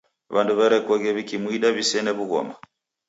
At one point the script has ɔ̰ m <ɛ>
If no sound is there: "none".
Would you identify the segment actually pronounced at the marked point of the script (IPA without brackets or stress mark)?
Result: a